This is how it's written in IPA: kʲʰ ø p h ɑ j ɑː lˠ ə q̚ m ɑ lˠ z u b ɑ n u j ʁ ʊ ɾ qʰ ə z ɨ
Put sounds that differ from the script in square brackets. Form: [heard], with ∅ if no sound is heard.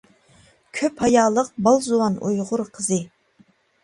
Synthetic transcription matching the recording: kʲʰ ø p h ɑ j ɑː lˠ ə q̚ [b] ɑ lˠ z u [w] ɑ n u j ʁ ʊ ɾ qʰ ə z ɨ